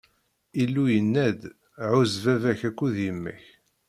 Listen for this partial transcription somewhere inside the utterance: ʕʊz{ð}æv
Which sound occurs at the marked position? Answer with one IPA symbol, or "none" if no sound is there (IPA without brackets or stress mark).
v